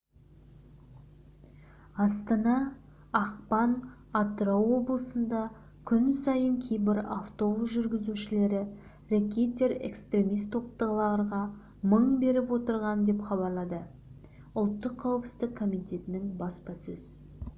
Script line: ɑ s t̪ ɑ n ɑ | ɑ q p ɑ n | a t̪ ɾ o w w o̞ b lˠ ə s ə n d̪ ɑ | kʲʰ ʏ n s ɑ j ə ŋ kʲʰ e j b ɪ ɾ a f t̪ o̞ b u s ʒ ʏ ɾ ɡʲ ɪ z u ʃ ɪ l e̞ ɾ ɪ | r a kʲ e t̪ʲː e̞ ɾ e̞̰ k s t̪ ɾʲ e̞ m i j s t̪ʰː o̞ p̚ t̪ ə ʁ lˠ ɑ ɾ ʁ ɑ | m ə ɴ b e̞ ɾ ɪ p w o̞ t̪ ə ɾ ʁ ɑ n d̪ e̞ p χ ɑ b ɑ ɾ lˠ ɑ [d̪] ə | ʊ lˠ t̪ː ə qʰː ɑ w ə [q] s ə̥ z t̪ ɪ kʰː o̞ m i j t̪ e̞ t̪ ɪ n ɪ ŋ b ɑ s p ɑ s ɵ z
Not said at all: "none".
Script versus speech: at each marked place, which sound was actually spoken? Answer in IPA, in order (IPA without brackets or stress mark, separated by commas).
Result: d̪, p